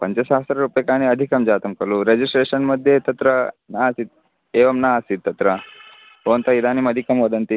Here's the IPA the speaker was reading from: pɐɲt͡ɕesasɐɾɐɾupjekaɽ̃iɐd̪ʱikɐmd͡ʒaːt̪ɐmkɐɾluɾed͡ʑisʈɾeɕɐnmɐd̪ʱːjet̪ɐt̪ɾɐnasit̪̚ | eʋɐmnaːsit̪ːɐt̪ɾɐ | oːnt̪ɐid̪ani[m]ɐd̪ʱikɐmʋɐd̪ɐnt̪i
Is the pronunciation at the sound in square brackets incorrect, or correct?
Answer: correct